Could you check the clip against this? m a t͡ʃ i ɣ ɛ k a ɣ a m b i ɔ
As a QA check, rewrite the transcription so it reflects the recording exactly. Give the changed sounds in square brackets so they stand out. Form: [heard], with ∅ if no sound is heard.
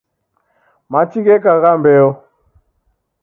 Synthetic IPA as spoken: m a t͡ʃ i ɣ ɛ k a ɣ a m b [ɛ] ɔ